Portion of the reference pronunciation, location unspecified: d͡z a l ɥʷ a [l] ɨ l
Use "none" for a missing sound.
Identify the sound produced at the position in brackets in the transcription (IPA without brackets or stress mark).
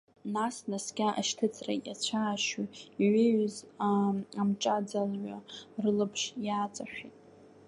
r